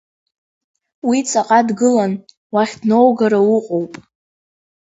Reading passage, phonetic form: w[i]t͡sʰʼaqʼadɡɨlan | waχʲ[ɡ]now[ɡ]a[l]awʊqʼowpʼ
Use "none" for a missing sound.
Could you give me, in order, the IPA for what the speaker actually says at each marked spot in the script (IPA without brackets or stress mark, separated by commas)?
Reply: i, d, ɡ, ɾ